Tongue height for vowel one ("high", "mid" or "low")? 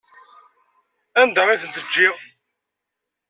low